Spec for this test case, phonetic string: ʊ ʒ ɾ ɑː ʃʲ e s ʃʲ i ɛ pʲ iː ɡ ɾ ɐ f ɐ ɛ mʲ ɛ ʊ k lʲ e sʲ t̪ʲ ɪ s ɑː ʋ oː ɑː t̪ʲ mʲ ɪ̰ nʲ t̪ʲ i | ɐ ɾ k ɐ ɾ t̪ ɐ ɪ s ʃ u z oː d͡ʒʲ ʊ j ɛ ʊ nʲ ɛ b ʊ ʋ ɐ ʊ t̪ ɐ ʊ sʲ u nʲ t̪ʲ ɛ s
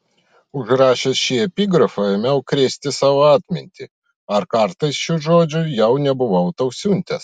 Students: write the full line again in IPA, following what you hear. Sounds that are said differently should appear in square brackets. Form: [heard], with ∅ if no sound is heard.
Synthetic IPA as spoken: ʊ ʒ ɾ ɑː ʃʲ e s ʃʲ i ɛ pʲ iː ɡ ɾ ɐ f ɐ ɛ mʲ ɛ ʊ k [ɾʲ] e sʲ t̪ʲ ɪ s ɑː ʋ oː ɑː t̪ʲ mʲ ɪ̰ nʲ t̪ʲ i | ɐ ɾ k ɐ ɾ t̪ ɐ ɪ s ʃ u [ʒ] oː d͡ʒʲ ʊ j ɛ ʊ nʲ ɛ b ʊ ʋ ɐ ʊ t̪ ɐ ʊ sʲ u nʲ t̪ʲ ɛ s

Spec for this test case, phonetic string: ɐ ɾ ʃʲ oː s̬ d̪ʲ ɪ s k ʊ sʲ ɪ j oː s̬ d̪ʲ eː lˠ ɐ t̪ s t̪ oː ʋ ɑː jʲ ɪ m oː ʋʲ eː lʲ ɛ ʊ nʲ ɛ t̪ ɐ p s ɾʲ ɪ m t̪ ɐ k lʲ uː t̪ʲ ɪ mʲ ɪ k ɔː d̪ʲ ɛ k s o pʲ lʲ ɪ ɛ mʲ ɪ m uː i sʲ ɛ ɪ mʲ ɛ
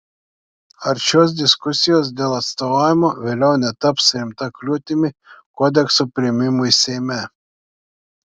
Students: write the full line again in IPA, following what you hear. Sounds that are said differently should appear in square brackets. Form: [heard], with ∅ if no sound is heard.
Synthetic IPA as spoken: ɐ ɾ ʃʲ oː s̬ d̪ʲ ɪ s k ʊ sʲ ɪ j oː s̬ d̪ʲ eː lˠ ɐ t̪ s t̪ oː ʋ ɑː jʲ ɪ m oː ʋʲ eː lʲ ɛ ʊ nʲ ɛ t̪ ɐ p s ɾʲ ɪ m t̪ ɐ k lʲ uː t̪ʲ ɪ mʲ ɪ k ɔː d̪ʲ ɛ k s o pʲ [ɾʲ] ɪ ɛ mʲ ɪ m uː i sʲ ɛ ɪ mʲ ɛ

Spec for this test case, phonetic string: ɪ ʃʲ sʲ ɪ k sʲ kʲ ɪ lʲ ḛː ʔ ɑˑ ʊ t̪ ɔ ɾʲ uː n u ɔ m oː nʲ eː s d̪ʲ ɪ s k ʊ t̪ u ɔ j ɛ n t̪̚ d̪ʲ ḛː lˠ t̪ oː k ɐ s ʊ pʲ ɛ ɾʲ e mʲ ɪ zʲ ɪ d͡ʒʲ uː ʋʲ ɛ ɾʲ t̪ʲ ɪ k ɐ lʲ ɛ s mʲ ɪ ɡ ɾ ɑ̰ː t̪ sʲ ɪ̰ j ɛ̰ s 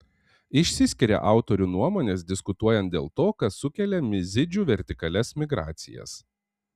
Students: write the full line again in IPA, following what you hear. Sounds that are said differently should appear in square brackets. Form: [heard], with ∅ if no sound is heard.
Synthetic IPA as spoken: ɪ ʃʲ sʲ ɪ [∅] sʲ kʲ ɪ [ɾʲ] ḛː ʔ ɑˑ ʊ t̪ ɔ ɾʲ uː n u ɔ m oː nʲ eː s d̪ʲ ɪ s k ʊ t̪ u ɔ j ɛ n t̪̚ d̪ʲ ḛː lˠ t̪ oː k ɐ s ʊ [kʲ] ɛ [lʲ] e mʲ ɪ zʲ ɪ d͡ʒʲ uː ʋʲ ɛ ɾʲ t̪ʲ ɪ k ɐ lʲ ɛ s mʲ ɪ ɡ ɾ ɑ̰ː t̪ sʲ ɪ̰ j ɛ̰ s

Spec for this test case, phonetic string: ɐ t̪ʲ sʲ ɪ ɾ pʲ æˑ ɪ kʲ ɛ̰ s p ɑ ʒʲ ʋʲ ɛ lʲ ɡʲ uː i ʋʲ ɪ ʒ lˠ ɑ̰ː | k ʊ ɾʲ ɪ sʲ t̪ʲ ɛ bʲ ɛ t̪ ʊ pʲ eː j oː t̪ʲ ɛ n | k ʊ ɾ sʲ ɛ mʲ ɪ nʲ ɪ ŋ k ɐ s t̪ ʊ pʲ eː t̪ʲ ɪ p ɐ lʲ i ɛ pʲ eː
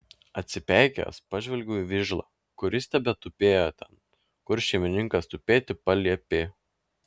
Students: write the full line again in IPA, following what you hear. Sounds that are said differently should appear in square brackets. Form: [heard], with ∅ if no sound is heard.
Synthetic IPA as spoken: ɐ t̪ʲ sʲ ɪ [∅] pʲ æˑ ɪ kʲ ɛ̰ s p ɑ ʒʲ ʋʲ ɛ lʲ ɡʲ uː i ʋʲ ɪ ʒ lˠ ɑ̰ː | k ʊ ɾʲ ɪ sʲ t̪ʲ ɛ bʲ ɛ t̪ ʊ pʲ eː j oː t̪ʲ ɛ n | k ʊ ɾ [ʃʲ] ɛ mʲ ɪ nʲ ɪ ŋ k ɐ s t̪ ʊ pʲ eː t̪ʲ ɪ p ɐ lʲ i ɛ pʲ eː

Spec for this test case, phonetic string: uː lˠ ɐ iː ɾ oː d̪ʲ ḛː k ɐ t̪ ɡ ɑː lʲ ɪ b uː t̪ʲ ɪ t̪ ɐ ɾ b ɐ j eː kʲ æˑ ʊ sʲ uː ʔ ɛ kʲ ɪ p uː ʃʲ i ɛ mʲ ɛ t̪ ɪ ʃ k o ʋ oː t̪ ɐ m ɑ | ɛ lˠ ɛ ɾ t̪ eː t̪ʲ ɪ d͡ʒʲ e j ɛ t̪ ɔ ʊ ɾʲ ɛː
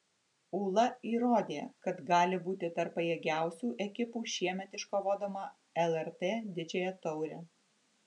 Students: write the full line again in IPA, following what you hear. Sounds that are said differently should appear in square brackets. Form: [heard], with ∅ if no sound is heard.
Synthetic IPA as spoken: uː lˠ ɐ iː ɾ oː d̪ʲ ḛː k ɐ t̪ ɡ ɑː lʲ ɪ b uː t̪ʲ ɪ t̪ ɐ ɾ [p] ɐ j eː [ɡʲ] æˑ ʊ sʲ uː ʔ ɛ kʲ ɪ p uː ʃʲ i ɛ mʲ ɛ t̪ ɪ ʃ k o ʋ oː [d̪] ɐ m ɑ | ɛ lˠ ɛ ɾ t̪ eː [d̪ʲ] ɪ d͡ʒʲ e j ɛ t̪ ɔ ʊ ɾʲ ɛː

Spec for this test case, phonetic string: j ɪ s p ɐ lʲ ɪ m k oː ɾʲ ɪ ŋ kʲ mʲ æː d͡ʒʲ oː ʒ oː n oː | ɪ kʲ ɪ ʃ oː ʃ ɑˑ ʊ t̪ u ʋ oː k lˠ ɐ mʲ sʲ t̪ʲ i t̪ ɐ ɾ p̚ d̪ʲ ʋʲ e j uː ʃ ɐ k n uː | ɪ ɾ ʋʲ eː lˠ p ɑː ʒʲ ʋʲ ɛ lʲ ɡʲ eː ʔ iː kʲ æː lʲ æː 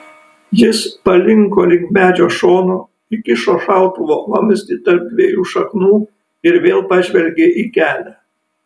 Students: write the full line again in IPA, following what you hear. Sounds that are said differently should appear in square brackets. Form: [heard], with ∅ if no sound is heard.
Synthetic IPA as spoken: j ɪ s p ɐ lʲ ɪ [ŋ] k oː [lʲ] ɪ ŋ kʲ mʲ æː d͡ʒʲ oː [ʃ] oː n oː | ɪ kʲ ɪ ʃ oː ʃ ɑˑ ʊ t̪ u ʋ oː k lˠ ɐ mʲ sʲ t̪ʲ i t̪ ɐ ɾ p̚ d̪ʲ ʋʲ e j uː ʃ ɐ k n uː | ɪ ɾ ʋʲ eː lˠ p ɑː ʒʲ ʋʲ ɛ lʲ ɡʲ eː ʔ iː kʲ æː lʲ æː

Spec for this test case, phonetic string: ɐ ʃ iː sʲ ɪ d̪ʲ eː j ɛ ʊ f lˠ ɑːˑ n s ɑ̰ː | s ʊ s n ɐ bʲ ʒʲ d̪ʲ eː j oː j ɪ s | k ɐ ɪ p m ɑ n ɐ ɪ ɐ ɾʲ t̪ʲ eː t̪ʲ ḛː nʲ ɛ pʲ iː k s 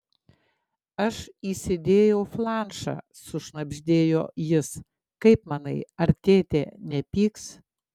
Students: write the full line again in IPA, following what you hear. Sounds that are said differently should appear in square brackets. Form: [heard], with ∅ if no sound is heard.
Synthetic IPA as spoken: ɐ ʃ iː sʲ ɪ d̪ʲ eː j ɛ ʊ f lˠ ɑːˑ n [ʃ] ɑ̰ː | s ʊ [ʃ] n ɐ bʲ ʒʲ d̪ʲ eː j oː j ɪ s | k ɐ ɪ p m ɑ n ɐ ɪ ɐ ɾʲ t̪ʲ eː t̪ʲ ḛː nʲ ɛ pʲ iː k s

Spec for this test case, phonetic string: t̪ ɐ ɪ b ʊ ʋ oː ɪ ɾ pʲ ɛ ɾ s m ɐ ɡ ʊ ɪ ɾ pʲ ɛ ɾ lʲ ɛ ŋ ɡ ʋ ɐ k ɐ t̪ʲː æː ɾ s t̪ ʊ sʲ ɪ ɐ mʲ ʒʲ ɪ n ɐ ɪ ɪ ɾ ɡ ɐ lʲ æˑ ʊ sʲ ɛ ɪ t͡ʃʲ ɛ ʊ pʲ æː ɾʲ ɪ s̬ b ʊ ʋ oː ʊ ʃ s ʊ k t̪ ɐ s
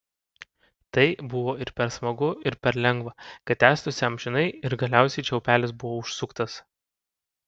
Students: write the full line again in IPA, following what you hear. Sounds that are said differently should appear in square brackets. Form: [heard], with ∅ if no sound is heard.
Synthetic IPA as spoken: t̪ ɐ ɪ b ʊ ʋ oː ɪ ɾ pʲ ɛ ɾ s m ɐ ɡ ʊ ɪ ɾ pʲ ɛ ɾ lʲ ɛ ŋ ɡ ʋ ɐ k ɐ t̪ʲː æː [∅] s t̪ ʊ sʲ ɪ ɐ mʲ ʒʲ ɪ n ɐ ɪ ɪ ɾ ɡ ɐ lʲ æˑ ʊ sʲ ɛ ɪ t͡ʃʲ ɛ ʊ pʲ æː [lʲ] ɪ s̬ b ʊ ʋ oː ʊ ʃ s ʊ k t̪ ɐ s

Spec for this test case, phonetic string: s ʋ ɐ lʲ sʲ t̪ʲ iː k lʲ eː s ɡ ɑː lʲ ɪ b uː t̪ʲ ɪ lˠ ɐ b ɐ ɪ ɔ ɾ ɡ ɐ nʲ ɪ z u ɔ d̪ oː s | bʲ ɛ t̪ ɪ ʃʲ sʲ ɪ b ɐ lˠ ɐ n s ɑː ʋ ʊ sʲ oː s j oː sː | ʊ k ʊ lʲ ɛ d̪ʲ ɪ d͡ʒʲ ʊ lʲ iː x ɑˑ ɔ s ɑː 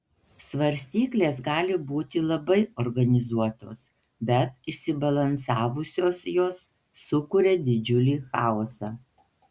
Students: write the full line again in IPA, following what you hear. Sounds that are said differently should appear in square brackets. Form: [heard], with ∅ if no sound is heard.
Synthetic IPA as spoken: s ʋ ɐ [ɾʲ] sʲ t̪ʲ iː k lʲ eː s ɡ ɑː lʲ ɪ b uː t̪ʲ ɪ lˠ ɐ b ɐ ɪ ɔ ɾ ɡ ɐ nʲ ɪ z u ɔ [t̪] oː s | bʲ ɛ t̪ ɪ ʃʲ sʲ ɪ b ɐ lˠ ɐ n s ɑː ʋ ʊ sʲ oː s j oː sː | ʊ k ʊ [ɾʲ] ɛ d̪ʲ ɪ d͡ʒʲ ʊ lʲ iː x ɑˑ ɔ s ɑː

